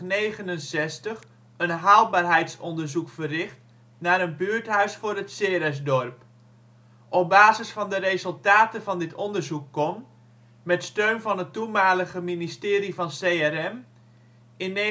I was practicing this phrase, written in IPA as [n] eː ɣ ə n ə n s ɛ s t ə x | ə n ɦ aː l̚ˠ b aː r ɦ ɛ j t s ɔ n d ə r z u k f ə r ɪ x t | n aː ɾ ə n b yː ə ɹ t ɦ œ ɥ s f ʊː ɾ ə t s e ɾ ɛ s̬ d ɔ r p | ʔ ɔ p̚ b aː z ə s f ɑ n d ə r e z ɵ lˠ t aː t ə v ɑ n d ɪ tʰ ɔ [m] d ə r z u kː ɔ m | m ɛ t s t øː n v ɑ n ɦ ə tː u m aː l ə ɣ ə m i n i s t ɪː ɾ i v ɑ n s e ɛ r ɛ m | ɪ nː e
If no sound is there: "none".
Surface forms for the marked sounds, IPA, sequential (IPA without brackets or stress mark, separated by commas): n, n